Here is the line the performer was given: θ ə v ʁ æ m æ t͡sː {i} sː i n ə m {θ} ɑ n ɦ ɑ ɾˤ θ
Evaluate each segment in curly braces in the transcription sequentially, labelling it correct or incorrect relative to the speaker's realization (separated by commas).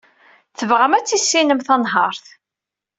correct, correct